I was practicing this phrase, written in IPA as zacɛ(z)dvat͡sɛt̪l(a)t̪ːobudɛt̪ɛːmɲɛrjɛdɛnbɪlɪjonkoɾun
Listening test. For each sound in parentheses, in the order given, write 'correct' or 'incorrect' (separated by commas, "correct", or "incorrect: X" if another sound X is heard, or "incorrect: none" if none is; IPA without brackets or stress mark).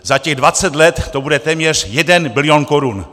incorrect: ɣ, incorrect: ɛ